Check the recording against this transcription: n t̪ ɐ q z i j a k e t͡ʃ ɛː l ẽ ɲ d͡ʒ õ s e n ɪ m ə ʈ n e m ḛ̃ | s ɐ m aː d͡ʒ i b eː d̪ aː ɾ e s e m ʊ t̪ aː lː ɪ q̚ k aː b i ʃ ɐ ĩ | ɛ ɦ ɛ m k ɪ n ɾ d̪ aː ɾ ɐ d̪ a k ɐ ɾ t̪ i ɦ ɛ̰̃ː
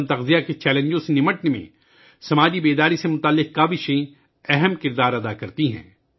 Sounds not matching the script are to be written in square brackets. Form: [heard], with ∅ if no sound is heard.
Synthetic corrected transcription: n t̪ ɐ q z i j a k e t͡ʃ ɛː l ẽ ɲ d͡ʒ õ s e n ɪ m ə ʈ n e m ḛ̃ | s ɐ m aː d͡ʒ i b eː d̪ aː ɾ [i] s e m ʊ t̪ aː lː ɪ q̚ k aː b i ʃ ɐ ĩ | ɛ ɦ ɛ m k ɪ [∅] ɾ d̪ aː ɾ ɐ d̪ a k ɐ ɾ t̪ i ɦ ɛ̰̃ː